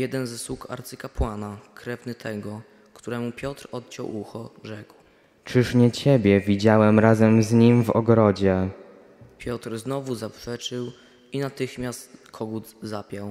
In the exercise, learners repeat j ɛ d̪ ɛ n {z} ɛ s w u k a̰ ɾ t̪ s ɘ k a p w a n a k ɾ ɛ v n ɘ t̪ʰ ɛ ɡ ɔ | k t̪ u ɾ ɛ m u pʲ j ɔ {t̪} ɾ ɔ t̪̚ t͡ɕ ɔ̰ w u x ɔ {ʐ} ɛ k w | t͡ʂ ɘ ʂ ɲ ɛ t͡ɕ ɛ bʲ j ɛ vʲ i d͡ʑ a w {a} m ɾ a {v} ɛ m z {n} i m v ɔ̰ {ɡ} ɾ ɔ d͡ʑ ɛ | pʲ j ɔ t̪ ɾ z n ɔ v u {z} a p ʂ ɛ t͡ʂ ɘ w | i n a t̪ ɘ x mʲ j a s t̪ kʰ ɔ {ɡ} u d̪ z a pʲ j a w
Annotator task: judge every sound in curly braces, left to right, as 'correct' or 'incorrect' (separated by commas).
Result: correct, correct, correct, incorrect, incorrect, incorrect, correct, correct, correct